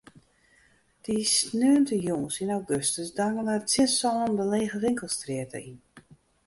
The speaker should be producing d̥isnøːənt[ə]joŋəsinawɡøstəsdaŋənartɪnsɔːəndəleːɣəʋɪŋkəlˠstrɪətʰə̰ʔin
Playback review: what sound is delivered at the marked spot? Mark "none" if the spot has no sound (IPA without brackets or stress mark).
ə